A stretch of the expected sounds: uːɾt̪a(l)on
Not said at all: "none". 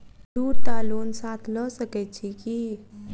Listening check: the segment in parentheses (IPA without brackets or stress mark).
l